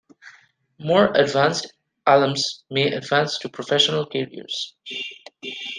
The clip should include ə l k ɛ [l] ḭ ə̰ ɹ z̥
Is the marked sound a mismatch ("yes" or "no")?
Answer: yes